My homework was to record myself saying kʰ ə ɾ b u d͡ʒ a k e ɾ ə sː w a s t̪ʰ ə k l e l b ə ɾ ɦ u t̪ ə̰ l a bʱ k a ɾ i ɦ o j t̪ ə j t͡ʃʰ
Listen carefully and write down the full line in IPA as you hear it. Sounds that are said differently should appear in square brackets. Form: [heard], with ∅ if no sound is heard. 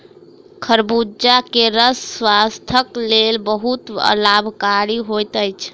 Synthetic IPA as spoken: kʰ ə ɾ b u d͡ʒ a k e ɾ ə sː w a s t̪ʰ ə k l e l b ə [∅] ɦ u t̪ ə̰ l a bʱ k a ɾ i ɦ o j t̪ ə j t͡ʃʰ